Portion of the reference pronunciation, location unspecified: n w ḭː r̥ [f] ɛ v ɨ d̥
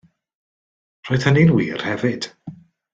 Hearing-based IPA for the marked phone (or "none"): h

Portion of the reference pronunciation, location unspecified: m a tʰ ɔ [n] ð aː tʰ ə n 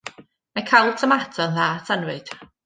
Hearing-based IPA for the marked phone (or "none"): n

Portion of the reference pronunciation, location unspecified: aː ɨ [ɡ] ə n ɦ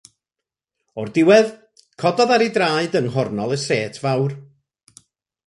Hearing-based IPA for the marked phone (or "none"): d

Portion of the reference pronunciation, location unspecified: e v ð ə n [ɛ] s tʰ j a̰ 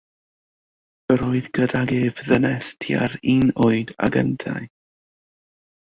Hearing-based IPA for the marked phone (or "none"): ɛ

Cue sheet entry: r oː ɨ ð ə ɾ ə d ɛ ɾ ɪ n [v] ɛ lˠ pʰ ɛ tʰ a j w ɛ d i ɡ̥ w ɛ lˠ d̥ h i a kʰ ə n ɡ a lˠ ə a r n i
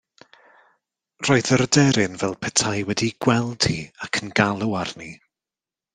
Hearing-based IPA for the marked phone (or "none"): v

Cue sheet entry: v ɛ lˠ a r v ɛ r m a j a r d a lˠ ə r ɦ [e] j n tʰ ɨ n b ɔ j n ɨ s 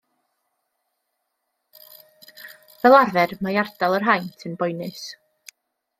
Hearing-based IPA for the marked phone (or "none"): a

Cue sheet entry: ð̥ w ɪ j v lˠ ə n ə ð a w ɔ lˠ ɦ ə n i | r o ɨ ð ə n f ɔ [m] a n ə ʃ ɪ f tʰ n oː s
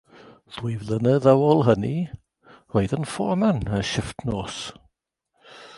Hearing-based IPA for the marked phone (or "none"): m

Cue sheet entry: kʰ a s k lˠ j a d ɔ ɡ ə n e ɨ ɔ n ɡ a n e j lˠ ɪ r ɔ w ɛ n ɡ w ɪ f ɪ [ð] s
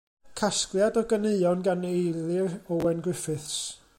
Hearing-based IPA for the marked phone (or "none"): θ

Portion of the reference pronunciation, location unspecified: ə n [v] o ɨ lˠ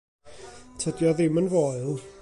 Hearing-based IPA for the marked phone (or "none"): v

